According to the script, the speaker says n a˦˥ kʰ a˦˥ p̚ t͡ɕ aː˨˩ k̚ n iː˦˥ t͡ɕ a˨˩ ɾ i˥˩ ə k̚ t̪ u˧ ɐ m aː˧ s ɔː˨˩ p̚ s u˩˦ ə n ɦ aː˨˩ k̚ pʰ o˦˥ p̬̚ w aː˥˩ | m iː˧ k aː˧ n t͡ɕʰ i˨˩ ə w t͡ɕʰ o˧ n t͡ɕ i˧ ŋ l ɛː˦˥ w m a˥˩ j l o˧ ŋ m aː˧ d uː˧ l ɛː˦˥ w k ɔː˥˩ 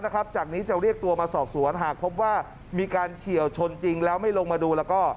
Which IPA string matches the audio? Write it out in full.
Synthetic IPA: n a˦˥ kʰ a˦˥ p̚ t͡ɕ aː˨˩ k̚ n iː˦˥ t͡ɕ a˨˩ ɾ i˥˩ ə k̚ t̪ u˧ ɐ m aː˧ s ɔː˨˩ p̚ s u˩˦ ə n ɦ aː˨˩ k̚ pʰ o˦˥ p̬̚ w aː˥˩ | m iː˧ k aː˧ n t͡ɕʰ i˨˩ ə w t͡ɕʰ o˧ n t͡ɕ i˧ ŋ l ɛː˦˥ w m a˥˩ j l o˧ ŋ m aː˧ d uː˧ l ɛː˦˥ w k ɔː˥˩

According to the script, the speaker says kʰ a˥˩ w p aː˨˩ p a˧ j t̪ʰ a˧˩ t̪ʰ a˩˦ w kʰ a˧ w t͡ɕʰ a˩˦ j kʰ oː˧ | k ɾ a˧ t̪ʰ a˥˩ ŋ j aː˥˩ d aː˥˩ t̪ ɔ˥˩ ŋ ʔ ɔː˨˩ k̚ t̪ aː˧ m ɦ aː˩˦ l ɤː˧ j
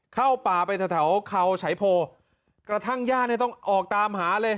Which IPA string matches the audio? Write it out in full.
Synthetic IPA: kʰ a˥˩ w p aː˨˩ p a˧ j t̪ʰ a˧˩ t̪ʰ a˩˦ w kʰ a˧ w t͡ɕʰ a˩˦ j pʰ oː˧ | k ɾ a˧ t̪ʰ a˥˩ ŋ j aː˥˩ n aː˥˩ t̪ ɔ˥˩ ŋ ʔ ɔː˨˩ k̚ t̪ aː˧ m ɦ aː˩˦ l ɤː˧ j

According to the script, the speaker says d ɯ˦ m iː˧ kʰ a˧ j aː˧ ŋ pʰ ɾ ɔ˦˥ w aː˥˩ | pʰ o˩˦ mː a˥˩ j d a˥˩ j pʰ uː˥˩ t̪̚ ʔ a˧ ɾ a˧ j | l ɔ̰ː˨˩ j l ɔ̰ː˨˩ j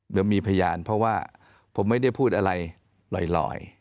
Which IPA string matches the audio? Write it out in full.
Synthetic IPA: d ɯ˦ m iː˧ pʰ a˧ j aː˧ n pʰ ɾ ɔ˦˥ w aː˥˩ | pʰ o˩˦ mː a˥˩ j d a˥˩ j pʰ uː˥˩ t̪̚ ʔ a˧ ɾ a˧ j | l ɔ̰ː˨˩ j l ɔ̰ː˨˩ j

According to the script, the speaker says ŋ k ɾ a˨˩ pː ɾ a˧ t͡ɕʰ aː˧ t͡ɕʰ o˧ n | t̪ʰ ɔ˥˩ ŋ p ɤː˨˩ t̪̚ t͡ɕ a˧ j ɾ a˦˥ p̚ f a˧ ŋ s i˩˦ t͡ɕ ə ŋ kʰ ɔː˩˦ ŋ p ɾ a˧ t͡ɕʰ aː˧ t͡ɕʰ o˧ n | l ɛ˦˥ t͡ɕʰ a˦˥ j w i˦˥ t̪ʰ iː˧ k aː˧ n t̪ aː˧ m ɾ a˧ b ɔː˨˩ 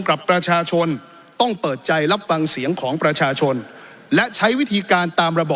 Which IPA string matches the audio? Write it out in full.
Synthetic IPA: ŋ k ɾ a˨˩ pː ɾ a˧ t͡ɕʰ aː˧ t͡ɕʰ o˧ n | t̪ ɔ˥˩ ŋ p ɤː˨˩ t̪̚ t͡ɕ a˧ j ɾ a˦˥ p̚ f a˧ ŋ s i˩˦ ə ŋ kʰ ɔː˩˦ ŋ p ɾ a˧ t͡ɕʰ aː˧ t͡ɕʰ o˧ n | l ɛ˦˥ t͡ɕʰ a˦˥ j w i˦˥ t̪ʰ iː˧ k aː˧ n t̪ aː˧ m ɾ a˧ b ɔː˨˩

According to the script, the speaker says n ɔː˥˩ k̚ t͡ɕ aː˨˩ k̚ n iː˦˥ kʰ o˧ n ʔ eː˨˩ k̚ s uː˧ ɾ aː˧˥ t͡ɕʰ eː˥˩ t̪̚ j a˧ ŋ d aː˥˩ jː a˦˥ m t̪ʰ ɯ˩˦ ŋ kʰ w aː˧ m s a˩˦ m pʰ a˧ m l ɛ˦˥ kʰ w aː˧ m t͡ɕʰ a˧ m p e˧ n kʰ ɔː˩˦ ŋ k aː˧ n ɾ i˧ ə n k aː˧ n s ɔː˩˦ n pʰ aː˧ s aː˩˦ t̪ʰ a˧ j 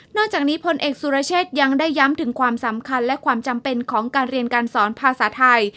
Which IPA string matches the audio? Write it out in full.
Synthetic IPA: n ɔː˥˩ k̚ t͡ɕ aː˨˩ k̚ n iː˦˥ pʰ o˧ n ʔ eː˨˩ k̚ s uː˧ ɾ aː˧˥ t͡ɕʰ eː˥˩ t̪̚ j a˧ ŋ d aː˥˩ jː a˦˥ m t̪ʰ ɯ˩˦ ŋ kʰ w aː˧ m s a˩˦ m kʰ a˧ n l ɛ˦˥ kʰ w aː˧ m t͡ɕ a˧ m p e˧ n kʰ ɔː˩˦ ŋ k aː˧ n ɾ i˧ ə n k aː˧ n s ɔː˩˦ n pʰ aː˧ s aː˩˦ t̪ʰ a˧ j

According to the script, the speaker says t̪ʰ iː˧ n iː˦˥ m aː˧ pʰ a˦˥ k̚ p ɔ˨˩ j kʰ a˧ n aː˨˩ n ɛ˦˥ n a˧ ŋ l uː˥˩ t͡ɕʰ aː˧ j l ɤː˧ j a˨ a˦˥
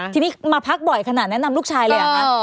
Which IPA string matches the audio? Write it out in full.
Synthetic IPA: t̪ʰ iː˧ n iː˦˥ m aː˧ pʰ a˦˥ k̚ b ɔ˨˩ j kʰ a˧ n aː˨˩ n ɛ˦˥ n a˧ m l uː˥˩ t͡ɕʰ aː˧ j l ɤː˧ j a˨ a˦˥

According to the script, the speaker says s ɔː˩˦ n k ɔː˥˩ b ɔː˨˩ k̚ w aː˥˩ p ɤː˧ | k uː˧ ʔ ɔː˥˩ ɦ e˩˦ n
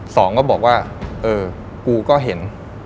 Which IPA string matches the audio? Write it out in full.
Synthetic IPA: s ɔː˩˦ ŋ k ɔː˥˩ b ɔː˨˩ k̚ w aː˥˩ ʔ ɤː˧ | k uː˧ k ɔː˥˩ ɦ e˩˦ n

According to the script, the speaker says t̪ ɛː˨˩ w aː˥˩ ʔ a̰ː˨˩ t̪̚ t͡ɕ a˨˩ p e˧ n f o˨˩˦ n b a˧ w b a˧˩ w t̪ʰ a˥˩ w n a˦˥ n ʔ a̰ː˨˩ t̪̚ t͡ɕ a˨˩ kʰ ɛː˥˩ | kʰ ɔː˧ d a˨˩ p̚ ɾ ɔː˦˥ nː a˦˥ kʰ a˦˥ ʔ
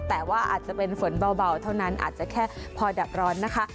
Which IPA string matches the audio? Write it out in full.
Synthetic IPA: t̪ ɛː˨˩ w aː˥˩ ʔ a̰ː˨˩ t̪̚ t͡ɕ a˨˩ p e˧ n f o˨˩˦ n b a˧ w b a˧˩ w t̪ʰ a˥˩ w n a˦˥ n ʔ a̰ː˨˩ t̪̚ t͡ɕ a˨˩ kʰ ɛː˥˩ | pʰ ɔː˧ d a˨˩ p̚ ɾ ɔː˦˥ nː a˦˥ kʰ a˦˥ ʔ

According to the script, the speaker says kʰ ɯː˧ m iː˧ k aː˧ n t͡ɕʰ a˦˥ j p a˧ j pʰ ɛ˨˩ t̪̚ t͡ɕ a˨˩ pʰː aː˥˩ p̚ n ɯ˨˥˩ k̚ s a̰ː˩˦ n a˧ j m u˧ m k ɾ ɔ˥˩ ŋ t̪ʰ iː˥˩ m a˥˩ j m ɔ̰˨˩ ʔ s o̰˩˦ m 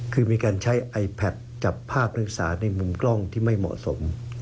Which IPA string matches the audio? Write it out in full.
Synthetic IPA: kʰ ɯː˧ m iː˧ k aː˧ n t͡ɕʰ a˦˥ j ʔ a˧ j pʰ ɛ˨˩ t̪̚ t͡ɕ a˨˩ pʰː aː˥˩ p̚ n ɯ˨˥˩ k̚ s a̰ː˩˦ n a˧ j m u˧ m k l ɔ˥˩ ŋ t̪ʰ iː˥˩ m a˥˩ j m ɔ̰˨˩ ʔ s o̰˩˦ m

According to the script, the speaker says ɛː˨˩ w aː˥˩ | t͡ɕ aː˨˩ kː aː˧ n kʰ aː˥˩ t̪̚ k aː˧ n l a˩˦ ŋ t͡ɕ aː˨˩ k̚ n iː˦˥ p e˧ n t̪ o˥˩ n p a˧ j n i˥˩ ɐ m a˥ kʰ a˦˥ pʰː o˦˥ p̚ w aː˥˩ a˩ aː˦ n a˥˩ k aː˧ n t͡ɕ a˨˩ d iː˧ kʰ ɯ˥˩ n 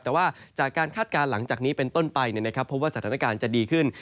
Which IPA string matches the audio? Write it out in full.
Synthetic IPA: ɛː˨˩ w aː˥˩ | t͡ɕ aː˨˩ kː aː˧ n kʰ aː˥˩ t̪̚ k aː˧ n l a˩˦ ŋ t͡ɕ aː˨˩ k̚ n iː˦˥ p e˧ n t̪ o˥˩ n p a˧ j n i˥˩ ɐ n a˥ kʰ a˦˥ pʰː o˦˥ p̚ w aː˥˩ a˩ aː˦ n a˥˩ k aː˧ n t͡ɕ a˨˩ d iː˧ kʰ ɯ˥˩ n

